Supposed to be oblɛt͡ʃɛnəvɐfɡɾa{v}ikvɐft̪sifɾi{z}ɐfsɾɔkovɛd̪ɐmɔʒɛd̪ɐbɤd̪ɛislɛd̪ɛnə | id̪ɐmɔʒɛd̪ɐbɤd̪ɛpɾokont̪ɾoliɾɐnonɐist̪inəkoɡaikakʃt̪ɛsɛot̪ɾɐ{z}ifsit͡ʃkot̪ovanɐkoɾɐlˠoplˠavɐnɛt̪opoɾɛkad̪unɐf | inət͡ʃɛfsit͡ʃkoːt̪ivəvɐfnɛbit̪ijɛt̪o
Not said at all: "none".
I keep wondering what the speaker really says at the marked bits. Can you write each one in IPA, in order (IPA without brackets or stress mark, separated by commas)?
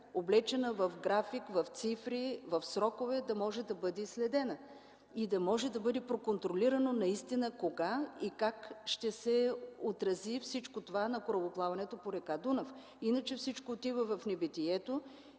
f, v, z